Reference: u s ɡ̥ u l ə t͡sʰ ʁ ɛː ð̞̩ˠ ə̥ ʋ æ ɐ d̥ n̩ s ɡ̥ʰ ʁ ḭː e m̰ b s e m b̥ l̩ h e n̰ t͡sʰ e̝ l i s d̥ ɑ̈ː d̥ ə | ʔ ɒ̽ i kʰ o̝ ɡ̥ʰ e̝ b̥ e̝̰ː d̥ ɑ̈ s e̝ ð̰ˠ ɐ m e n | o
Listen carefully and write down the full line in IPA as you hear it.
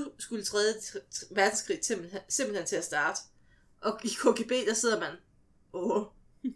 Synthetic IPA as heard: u s ɡ̥ u l ə t͡sʰ ʁ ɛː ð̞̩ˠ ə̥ ʋ æ ɐ d̥ n̩ s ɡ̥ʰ ʁ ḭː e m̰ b s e m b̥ l̩ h e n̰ t͡sʰ e̝ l æ s d̥ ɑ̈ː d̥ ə | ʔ ɒ̽ i kʰ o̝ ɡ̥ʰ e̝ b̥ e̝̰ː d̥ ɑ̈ s e̝ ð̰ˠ ɐ m æ n | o